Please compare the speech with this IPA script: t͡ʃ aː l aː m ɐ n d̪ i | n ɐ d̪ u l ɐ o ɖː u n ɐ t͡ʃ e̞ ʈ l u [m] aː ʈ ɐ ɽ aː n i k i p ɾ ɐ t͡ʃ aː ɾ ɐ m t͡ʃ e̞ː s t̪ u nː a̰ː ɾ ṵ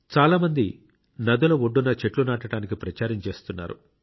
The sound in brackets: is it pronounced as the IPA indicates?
no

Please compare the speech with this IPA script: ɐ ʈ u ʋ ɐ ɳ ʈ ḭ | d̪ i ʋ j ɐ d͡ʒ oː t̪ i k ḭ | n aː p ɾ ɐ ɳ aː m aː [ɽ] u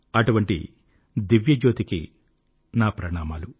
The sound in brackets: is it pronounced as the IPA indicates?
no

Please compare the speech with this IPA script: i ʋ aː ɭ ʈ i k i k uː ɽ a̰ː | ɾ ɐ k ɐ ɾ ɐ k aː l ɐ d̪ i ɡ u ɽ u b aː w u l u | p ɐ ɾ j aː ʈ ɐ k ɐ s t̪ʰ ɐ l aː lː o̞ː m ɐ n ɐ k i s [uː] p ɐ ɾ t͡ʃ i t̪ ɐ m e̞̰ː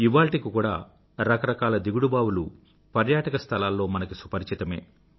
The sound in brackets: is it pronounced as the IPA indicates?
no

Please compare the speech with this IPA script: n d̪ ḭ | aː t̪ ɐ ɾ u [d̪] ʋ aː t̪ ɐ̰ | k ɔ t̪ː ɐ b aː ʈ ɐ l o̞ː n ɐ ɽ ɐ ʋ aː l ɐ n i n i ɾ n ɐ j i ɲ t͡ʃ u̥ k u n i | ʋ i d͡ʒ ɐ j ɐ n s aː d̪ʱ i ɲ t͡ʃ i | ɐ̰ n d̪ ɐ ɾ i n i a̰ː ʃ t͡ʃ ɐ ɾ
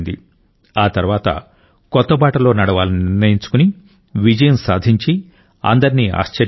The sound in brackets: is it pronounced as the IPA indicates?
no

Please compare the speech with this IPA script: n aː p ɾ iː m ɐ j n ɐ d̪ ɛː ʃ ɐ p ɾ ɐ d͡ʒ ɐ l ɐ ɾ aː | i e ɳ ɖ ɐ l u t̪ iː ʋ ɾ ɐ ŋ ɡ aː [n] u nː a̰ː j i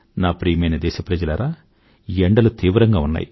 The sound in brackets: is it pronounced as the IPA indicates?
no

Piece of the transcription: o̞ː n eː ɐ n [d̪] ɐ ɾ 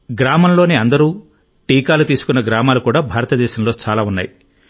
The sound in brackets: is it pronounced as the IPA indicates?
yes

